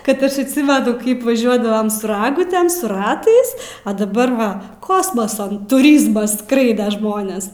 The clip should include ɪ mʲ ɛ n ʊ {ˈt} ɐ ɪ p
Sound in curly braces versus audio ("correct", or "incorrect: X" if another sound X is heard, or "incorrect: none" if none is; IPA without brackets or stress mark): incorrect: k